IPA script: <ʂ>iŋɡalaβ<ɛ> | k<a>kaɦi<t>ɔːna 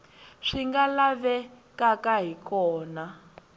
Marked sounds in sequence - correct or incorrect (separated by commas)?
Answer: correct, correct, correct, incorrect